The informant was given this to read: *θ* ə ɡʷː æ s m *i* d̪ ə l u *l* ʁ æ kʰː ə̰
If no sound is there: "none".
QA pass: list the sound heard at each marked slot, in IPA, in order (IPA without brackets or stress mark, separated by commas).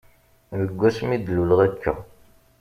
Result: ð, i, l